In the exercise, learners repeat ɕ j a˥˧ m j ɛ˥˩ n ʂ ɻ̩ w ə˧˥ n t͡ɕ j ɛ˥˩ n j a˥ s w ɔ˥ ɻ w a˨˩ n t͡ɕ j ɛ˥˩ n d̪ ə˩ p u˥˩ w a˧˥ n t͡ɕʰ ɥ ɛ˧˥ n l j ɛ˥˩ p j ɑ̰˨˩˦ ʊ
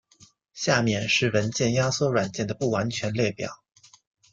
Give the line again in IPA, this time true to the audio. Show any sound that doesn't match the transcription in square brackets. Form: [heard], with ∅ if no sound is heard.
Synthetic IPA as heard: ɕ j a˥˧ m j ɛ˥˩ n ʂ ɻ̩ w ə˧˥ n t͡ɕ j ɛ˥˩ n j a˥ s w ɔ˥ ɻ w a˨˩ n t͡ɕ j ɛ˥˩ n d̪ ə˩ p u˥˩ w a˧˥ n t͡ɕʰ ɥ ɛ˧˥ n l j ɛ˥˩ p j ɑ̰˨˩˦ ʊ